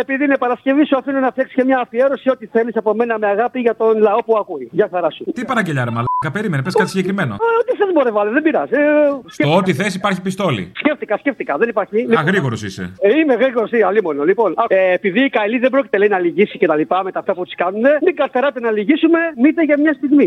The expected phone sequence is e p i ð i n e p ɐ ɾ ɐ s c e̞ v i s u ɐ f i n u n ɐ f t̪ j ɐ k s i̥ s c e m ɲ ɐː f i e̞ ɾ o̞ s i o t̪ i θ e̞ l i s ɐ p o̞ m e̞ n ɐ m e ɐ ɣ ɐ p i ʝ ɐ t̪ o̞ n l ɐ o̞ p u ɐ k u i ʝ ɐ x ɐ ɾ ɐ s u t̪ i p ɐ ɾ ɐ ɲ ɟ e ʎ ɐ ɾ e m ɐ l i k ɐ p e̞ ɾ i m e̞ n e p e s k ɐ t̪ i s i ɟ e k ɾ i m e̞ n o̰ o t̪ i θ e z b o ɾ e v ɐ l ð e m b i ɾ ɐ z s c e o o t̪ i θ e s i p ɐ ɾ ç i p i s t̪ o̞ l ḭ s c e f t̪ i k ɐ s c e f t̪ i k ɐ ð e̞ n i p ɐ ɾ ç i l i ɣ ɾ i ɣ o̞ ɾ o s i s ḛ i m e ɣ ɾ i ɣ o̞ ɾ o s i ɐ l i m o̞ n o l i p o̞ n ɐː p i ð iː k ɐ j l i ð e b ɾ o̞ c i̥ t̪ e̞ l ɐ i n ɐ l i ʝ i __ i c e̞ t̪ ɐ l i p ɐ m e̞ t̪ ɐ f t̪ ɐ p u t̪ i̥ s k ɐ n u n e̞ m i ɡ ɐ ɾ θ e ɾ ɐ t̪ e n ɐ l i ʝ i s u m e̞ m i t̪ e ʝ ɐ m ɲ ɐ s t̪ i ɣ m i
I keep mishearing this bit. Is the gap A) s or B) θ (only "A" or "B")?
A